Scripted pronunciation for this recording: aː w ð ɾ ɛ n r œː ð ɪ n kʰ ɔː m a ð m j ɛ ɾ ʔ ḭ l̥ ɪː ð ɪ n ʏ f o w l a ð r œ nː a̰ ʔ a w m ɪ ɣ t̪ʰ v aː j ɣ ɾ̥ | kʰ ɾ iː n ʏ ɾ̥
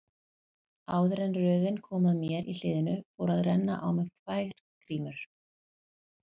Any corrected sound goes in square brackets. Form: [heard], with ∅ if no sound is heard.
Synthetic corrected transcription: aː w ð ɾ ɛ n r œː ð ɪ n kʰ ɔː m a ð m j ɛ ɾ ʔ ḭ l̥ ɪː ð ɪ n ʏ f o w [ɾ] a ð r [ɛ] nː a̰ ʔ a w m ɪ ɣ t̪ʰ v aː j ɣ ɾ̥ | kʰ ɾ iː [m] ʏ ɾ̥

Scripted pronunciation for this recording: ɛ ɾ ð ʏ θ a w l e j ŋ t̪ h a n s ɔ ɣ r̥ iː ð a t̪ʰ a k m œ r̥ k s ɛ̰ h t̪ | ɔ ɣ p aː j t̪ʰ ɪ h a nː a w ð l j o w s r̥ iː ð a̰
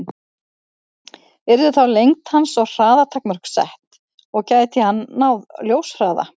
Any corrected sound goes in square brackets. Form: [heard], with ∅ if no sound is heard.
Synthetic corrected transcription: ɛ ɾ ð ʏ θ a w l e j ŋ t̪ h a n s ɔ ɣ r̥ [aː] ð a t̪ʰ a k m œ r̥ k s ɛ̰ h t̪ | ɔ ɣ [c] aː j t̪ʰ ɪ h a nː a w ð l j o w s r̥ [aː] ð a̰

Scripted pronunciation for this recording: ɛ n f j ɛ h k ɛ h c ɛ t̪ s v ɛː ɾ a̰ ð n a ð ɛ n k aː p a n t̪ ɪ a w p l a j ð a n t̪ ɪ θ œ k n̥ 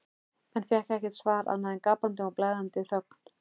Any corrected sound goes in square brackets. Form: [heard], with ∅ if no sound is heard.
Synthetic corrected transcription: ɛ n f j ɛ h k ɛ h c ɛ t̪ s v [aː] ɾ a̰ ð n a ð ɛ n k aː p a n t̪ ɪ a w p l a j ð a n t̪ ɪ θ œ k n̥

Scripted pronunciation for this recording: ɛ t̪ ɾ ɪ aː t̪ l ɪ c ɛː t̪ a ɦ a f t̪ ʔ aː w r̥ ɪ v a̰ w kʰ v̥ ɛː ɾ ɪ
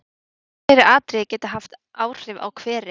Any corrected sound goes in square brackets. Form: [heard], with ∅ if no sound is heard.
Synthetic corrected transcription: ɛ [∅] ɾ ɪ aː t̪ [ɾ] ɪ c ɛː t̪ a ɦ a f t̪ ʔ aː w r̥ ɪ v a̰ w kʰ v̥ ɛː ɾ ɪ

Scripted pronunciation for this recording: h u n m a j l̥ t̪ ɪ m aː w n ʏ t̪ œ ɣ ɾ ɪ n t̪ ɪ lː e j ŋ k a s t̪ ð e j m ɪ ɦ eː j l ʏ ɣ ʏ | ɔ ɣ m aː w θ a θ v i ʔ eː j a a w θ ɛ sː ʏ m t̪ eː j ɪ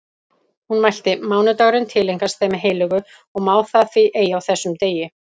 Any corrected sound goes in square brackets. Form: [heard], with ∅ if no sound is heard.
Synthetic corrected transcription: h u n m a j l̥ t̪ ɪ m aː w n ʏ t̪ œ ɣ ɾ ɪ n [t̪ʰ] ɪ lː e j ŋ k a s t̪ [θ] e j m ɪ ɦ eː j l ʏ ɣ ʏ | ɔ ɣ m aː w θ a θ v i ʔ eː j a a w θ ɛ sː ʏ m t̪ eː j ɪ

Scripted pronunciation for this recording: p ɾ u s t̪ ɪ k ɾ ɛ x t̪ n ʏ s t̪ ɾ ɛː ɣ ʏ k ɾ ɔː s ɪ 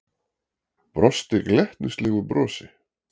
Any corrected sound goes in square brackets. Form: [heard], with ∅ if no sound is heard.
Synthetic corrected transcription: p ɾ [ɔ] s t̪ ɪ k [l] ɛ [h] t̪ n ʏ s t̪ [l] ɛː ɣ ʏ [p] ɾ ɔː s ɪ

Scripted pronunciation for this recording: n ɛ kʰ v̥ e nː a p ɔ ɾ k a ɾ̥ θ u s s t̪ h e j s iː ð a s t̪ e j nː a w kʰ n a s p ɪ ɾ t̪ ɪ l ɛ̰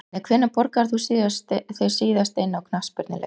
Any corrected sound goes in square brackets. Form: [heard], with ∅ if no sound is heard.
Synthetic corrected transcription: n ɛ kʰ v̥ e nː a p ɔ ɾ k a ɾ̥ θ u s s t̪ [θ] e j s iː ð a s t̪ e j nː a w kʰ n a s p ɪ ɾ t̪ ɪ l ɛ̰

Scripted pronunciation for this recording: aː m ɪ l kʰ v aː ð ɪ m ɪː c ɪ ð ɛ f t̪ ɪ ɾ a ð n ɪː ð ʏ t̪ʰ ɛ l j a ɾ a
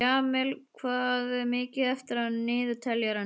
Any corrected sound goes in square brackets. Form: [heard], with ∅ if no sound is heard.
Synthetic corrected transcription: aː m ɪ l kʰ v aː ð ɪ m ɪː c ɪ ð ɛ f t̪ ɪ ɾ a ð n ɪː ð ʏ t̪ʰ ɛ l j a ɾ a

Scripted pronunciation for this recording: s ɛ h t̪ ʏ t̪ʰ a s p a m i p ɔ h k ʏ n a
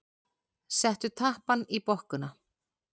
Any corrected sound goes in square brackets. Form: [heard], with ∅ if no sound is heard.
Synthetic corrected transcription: s ɛ h t̪ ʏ t̪ʰ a [h] p a [n] i p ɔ h k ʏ n a

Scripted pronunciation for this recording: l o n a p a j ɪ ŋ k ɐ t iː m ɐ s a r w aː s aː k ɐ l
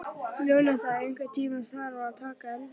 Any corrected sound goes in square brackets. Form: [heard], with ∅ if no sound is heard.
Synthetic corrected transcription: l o n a [t] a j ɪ ŋ k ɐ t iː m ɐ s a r w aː [t] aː k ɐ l

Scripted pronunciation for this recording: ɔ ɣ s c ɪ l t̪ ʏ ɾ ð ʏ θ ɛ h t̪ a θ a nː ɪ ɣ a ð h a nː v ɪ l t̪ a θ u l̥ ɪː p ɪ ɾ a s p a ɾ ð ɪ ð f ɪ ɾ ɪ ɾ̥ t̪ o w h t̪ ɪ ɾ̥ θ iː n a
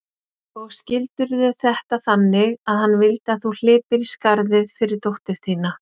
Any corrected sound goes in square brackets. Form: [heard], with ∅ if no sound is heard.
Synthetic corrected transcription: ɔ ɣ s c ɪ l t̪ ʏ ɾ ð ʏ θ ɛ h t̪ a θ a nː ɪ ɣ a ð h a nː v ɪ l t̪ a θ u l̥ ɪː p ɪ ɾ [i] s [k] a ɾ ð ɪ ð f ɪ ɾ ɪ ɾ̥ t̪ o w h t̪ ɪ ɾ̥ θ iː n a

